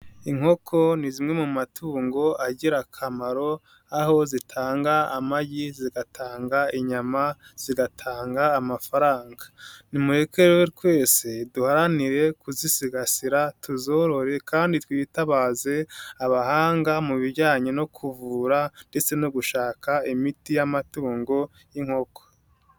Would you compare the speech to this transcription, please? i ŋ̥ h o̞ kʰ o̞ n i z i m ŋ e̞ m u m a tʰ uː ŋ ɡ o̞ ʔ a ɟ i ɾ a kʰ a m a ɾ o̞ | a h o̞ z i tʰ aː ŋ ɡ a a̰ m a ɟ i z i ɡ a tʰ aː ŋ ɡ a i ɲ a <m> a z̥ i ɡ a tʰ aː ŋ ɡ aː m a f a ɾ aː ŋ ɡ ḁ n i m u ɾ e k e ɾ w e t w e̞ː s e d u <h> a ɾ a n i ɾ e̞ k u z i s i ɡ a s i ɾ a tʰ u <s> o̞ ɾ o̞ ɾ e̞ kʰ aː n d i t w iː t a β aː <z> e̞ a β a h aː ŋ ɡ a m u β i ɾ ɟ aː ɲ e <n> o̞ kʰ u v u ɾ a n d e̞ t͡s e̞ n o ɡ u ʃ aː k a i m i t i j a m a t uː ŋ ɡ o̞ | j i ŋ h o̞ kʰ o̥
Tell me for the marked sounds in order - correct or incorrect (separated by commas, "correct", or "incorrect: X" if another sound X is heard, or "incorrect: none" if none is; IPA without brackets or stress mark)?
correct, correct, incorrect: z, correct, correct